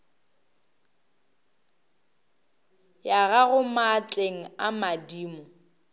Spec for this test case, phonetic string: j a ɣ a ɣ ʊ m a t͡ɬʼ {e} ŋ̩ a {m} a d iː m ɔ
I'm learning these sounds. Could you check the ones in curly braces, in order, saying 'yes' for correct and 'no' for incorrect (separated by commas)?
yes, yes